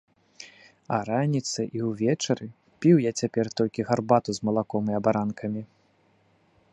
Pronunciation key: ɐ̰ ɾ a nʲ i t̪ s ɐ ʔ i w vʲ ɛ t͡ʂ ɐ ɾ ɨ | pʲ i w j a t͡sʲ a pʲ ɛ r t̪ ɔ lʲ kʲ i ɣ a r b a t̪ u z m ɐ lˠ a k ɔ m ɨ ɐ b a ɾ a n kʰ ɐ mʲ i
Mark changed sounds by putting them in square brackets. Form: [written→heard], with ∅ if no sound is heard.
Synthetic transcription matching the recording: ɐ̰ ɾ a nʲ i t̪ s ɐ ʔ i w vʲ ɛ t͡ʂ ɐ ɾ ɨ | pʲ i w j a t͡sʲ a pʲ ɛ r t̪ ɔ lʲ kʲ i ɣ a r b a t̪ u z m ɐ lˠ a k ɔ m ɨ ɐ b a ɾ a n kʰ ɐ mʲ i

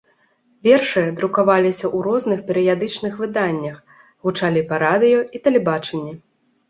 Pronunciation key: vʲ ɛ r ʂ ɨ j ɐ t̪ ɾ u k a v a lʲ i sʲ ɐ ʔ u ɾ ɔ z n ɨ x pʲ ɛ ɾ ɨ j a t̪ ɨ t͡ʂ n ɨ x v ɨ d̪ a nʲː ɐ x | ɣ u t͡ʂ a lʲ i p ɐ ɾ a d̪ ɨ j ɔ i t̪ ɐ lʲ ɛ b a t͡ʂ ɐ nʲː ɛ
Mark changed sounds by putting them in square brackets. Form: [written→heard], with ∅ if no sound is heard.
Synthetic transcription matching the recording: vʲ ɛ r ʂ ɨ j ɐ [t̪→d̪] ɾ u k a v a lʲ i sʲ ɐ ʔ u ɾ ɔ z n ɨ x pʲ ɛ ɾ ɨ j a [t̪→d̪] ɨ t͡ʂ n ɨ x v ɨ d̪ a nʲː ɐ x | ɣ u t͡ʂ a lʲ i p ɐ ɾ a d̪ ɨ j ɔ i t̪ ɐ lʲ ɛ b a t͡ʂ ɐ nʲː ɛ

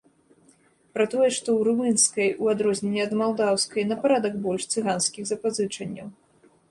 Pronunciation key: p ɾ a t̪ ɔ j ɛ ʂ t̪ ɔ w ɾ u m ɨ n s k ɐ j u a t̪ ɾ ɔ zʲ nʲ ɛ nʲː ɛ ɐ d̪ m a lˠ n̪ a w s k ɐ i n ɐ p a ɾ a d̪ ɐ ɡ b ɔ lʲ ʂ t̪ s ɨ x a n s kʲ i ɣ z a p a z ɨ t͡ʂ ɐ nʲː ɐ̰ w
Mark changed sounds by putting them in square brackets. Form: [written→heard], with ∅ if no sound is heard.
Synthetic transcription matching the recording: p ɾ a t̪ ɔ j ɛ ʂ t̪ ɔ w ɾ u m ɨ n s k ɐ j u a [t̪→d̪] ɾ ɔ zʲ nʲ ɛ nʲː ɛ ɐ d̪ m a lˠ [n̪→d̪] a w s k ɐ [i→j] n ɐ p a ɾ a d̪ ɐ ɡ b ɔ lʲ ʂ t̪ s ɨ [x→ɣ] a n s kʲ i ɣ z [a→ɐ] p a z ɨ t͡ʂ ɐ nʲː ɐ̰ w

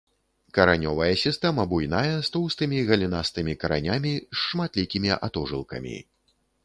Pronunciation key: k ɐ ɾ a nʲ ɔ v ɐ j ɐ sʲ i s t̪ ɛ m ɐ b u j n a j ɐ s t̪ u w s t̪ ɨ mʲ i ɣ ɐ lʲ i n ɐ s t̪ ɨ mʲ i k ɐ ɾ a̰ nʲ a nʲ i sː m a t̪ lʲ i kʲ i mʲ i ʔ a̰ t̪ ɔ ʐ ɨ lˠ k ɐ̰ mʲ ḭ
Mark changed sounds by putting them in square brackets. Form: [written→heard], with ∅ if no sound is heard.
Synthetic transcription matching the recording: k ɐ ɾ a nʲ ɔ v ɐ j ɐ sʲ i s t̪ ɛ m ɐ b u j n a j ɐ s t̪ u w s t̪ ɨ mʲ i ɣ ɐ lʲ i n [ɐ→a] s t̪ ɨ mʲ i k ɐ ɾ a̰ nʲ a [nʲ→mʲ] i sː m a t̪ lʲ i kʲ i mʲ i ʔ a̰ t̪ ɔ ʐ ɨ lˠ k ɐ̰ mʲ ḭ

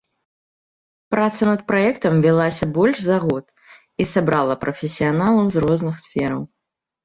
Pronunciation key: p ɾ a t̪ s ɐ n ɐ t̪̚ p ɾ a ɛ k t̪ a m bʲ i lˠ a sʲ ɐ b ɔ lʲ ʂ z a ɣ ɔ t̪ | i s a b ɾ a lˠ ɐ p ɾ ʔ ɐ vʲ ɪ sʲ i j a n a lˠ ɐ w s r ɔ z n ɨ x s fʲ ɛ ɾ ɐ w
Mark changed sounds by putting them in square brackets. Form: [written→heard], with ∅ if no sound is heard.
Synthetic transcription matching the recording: p ɾ a t̪ s ɐ n ɐ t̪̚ p ɾ a ɛ k t̪ [a→ɐ] m [bʲ→vʲ] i lˠ a sʲ ɐ b ɔ lʲ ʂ z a ɣ ɔ t̪ | i s a b ɾ a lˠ ɐ p ɾ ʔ ɐ [vʲ→fʲ] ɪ sʲ i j a n a lˠ ɐ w [s→z] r ɔ z n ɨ x s fʲ ɛ ɾ ɐ w

